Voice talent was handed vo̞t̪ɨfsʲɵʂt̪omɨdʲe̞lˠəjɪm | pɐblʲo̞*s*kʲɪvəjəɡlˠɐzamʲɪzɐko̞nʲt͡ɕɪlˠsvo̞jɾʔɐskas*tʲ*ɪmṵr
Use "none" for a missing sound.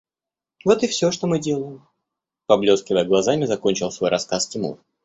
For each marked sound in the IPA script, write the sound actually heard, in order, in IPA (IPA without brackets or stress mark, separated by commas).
s, tʲ